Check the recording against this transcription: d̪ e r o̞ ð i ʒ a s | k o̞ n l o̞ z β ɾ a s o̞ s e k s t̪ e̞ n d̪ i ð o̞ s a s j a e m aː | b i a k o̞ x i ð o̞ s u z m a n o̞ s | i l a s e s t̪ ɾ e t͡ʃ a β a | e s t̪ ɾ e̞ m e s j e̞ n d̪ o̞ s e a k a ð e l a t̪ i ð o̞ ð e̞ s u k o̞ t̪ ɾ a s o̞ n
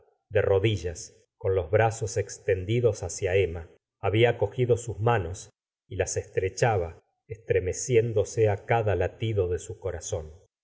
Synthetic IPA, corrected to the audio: d̪ e r o̞ ð i ʒ a s | k o̞ n l o̞ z β ɾ a s o̞ s e k s t̪ e̞ n d̪ i ð o̞ s a s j a e m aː | β i a k o̞ x i ð o̞ s u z m a n o̞ s | i l a s e s t̪ ɾ e t͡ʃ a β a | e s t̪ ɾ e̞ m e s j e̞ n d̪ o̞ s e a k a ð a l a t̪ i ð o̞ ð e̞ s u k o̞ ɾ a s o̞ n